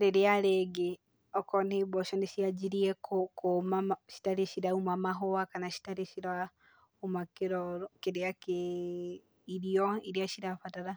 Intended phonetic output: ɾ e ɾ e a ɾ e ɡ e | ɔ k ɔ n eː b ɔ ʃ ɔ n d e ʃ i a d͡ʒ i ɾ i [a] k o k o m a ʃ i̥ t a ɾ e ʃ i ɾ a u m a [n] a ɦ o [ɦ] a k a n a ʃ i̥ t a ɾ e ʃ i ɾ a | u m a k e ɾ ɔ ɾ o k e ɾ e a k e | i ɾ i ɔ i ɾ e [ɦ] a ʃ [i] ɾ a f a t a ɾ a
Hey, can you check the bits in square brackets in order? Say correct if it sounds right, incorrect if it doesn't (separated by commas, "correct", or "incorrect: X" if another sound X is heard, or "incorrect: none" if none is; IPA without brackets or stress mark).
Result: incorrect: ɛ, incorrect: m, incorrect: none, incorrect: none, correct